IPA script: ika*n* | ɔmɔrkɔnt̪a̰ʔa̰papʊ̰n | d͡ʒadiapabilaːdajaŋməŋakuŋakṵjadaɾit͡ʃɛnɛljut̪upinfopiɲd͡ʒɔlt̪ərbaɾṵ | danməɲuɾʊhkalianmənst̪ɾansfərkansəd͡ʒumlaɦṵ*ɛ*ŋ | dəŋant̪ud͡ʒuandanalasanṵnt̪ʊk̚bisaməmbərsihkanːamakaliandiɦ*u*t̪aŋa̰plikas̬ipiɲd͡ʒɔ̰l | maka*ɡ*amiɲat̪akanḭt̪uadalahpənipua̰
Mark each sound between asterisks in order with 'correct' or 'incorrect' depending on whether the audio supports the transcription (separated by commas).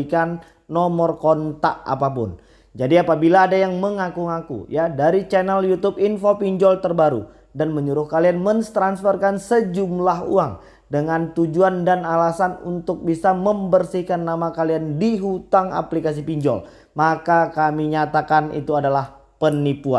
incorrect, incorrect, correct, incorrect